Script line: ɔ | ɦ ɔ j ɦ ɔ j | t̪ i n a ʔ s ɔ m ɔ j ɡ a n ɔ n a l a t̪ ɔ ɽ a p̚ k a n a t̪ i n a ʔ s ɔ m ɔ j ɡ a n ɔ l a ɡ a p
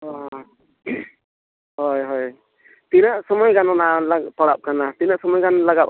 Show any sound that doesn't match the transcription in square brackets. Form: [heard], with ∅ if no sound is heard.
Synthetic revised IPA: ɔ | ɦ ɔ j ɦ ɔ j | t̪ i n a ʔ s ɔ m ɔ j ɡ a n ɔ n a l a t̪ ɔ ɽ a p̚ k a n a t̪ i n a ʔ s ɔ m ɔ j ɡ a n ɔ l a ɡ a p